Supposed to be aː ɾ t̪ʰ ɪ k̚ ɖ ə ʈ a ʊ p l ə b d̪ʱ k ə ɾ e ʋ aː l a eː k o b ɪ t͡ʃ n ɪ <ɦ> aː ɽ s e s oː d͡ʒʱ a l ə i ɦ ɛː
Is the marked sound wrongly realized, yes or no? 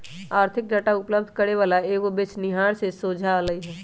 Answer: no